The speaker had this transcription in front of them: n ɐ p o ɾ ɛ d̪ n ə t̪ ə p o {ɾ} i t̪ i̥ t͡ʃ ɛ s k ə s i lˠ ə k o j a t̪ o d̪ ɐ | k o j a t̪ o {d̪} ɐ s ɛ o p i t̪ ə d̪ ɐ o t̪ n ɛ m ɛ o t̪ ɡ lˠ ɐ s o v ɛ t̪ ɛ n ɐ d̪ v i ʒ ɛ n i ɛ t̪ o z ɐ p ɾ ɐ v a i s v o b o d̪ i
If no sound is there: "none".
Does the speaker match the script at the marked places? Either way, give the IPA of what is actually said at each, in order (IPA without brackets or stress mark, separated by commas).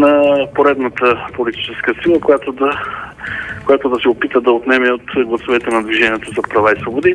l, d̪